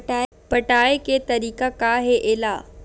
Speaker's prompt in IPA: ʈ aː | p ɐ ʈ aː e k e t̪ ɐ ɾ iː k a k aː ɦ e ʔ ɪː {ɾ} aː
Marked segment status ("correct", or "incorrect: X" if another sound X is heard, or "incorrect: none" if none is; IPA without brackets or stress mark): incorrect: l